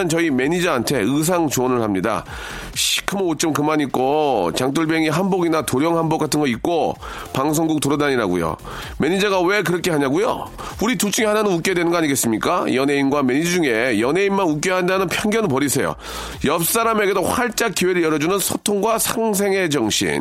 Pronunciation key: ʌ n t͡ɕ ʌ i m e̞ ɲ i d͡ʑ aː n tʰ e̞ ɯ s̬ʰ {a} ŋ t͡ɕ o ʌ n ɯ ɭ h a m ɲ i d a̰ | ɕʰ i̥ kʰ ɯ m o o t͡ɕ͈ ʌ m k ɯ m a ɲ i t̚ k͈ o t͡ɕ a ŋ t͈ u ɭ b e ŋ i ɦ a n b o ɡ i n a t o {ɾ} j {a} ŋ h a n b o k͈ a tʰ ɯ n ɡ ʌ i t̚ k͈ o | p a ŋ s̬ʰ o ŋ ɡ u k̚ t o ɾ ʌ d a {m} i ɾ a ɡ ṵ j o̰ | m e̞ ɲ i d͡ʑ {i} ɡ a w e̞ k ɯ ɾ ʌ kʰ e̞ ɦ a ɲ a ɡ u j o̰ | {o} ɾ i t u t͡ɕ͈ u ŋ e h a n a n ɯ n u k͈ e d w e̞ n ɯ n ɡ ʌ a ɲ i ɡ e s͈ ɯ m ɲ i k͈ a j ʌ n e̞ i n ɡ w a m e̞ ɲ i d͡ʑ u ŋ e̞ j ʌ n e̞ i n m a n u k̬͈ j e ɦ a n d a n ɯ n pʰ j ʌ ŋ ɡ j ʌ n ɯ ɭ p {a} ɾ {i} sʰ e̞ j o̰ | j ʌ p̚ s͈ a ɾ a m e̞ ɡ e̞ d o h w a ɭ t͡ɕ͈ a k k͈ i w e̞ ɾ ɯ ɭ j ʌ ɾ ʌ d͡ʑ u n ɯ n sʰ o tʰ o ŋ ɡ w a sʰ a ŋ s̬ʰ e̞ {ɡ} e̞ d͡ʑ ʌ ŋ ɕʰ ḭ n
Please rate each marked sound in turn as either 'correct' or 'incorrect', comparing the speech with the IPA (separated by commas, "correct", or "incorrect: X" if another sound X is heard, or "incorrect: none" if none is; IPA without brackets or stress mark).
correct, correct, incorrect: ʌ, incorrect: ɲ, incorrect: a, incorrect: u, incorrect: ʌ, correct, incorrect: ŋ